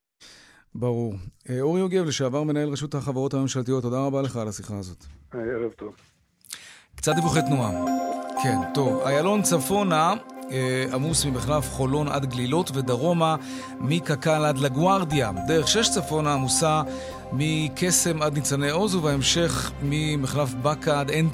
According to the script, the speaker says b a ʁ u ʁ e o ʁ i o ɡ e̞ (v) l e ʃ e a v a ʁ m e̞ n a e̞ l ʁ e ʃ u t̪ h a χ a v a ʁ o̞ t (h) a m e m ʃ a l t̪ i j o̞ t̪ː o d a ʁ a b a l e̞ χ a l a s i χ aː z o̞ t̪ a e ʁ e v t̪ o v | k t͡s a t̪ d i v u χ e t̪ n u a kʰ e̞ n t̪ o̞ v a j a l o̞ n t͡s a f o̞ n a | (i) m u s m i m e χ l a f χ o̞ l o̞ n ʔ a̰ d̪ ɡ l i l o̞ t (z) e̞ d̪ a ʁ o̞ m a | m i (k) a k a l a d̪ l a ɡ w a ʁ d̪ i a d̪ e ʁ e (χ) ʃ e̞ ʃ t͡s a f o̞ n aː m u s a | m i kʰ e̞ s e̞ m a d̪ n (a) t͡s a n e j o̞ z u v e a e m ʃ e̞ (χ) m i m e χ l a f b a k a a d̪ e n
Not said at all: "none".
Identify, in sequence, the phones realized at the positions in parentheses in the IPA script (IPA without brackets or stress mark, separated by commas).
v, h, a, v, k, χ, i, χ